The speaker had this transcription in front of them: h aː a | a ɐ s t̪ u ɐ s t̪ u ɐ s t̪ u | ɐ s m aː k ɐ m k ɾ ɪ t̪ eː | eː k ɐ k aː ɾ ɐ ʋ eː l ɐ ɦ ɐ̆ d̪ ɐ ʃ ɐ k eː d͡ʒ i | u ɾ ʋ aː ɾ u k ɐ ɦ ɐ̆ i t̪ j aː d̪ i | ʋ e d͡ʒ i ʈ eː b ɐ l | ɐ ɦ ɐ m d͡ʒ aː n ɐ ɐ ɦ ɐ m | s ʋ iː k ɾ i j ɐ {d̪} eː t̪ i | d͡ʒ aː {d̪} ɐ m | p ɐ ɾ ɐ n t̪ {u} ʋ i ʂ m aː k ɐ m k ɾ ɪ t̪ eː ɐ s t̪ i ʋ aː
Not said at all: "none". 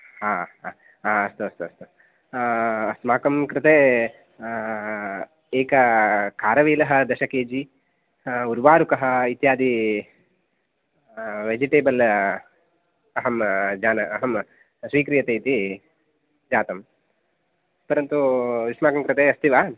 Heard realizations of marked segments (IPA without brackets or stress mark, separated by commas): t̪, t̪, u